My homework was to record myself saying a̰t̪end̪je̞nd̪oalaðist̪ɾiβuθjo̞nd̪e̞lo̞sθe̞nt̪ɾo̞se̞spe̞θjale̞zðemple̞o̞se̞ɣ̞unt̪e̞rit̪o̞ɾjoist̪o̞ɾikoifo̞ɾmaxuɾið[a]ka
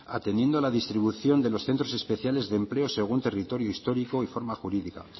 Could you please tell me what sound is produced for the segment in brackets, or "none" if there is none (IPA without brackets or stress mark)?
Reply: i